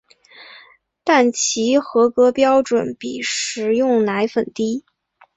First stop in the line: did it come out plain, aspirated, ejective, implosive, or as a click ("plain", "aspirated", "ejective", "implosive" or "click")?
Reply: plain